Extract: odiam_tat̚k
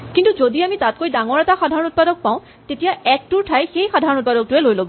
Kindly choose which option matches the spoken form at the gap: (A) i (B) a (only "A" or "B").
A